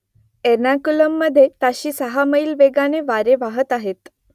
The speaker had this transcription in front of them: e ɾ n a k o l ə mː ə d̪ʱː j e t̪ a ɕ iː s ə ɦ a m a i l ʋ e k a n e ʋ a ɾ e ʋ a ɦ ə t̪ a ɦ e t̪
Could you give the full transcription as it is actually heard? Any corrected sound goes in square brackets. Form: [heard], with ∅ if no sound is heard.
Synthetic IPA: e ɾ n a k [u] l ə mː ə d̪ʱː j e t̪ a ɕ iː s ə ɦ a m [ə] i l ʋ e [ɡ] a n e ʋ a ɾ e ʋ a ɦ ə t̪ a ɦ e t̪